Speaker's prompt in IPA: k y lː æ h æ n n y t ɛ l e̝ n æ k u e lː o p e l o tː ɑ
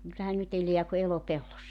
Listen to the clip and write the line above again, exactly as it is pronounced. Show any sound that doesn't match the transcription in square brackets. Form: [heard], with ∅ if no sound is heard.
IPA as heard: k y lː æ h æ n n y t [e] l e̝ [∅] æ k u e [l] o p e [lː] o [sː] ɑ

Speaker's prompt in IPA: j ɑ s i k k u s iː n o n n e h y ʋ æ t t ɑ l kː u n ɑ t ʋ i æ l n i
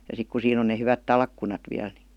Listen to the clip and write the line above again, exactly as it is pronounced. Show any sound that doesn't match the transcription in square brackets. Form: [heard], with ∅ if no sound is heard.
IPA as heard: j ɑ s i k k u s iː n o n n e h y ʋ æ t t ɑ l kː u n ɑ t ʋ i æ l n i

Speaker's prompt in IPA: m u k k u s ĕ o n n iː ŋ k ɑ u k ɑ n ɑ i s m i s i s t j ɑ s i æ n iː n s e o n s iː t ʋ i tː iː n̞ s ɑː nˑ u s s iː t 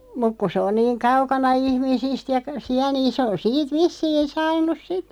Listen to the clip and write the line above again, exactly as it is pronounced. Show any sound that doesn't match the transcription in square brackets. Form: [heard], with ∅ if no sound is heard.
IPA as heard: m u k k u s ĕ o n n iː ŋ k ɑ u k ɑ n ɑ i [h] m i s i s t j ɑ s i æ n iː n s e o n s iː t ʋ i [sː] iː n̞ s ɑː nˑ u s s [i] t

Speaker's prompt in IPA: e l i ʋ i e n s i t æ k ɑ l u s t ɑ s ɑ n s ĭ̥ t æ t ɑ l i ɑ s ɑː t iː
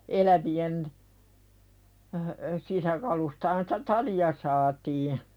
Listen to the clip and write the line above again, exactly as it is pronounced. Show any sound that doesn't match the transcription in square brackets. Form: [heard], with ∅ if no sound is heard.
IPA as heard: e l [æ] ʋ i e n s i [s] æ k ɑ l u s t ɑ [h] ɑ n s ĭ̥ t æ t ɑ l i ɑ s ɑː t iː

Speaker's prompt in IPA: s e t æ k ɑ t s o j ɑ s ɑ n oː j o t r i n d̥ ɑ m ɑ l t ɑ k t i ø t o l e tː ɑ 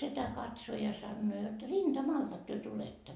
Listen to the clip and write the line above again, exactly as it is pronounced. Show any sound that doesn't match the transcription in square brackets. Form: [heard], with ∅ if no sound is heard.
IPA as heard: s e t æ k ɑ t s o j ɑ s ɑ [nː] oː j o t r i n d̥ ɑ m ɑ l t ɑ k t [y] ø t [u] l e tː ɑ

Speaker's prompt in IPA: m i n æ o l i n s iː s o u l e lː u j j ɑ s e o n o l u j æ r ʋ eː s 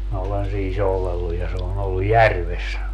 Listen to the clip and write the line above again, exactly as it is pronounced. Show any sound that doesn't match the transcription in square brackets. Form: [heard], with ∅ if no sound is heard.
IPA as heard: m i n æ o l [e] n s iː s o u l e lː u j j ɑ s e o n o [lː] u j æ r ʋ [e] s

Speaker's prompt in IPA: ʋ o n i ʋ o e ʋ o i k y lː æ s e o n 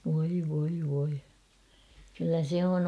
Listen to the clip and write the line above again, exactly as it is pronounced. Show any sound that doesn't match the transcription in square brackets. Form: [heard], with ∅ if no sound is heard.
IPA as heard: ʋ o [∅] i ʋ o [i] ʋ o i k y lː æ s e o n

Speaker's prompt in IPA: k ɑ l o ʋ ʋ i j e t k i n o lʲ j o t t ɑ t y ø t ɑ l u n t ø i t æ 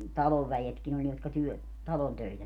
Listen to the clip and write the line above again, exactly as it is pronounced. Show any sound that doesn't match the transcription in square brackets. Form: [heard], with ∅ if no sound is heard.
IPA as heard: [t] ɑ l o ʋ ʋ [æ] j e t k i n o lʲ j o t [k] ɑ t y ø t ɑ l [o] n t ø i t æ

